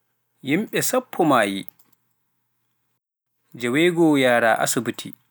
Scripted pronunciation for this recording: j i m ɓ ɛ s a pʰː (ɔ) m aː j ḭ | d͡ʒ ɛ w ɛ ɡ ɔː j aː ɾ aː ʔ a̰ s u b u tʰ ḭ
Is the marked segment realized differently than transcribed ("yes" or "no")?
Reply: no